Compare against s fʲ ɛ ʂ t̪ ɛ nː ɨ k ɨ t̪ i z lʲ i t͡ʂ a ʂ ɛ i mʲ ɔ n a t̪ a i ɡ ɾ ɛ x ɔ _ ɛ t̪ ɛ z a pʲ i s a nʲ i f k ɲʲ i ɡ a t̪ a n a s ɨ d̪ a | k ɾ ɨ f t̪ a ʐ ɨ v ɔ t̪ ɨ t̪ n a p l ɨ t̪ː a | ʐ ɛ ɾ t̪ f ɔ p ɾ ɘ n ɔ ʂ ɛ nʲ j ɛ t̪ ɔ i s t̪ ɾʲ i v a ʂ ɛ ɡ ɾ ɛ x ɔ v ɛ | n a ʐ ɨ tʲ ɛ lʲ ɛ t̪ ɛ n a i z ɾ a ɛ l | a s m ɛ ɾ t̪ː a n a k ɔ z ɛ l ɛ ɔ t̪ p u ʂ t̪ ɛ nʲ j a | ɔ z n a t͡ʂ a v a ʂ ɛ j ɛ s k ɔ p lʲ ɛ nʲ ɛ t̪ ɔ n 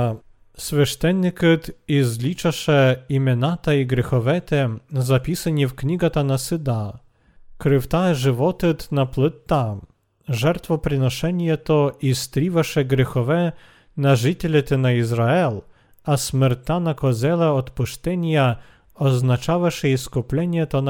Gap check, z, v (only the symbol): v